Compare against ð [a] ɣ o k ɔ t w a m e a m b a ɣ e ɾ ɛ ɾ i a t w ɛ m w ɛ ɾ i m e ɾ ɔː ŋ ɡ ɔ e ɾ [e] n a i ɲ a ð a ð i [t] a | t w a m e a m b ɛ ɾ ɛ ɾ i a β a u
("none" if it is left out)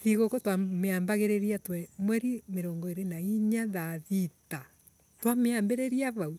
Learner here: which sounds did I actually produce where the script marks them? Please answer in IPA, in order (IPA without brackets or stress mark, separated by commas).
i, e, t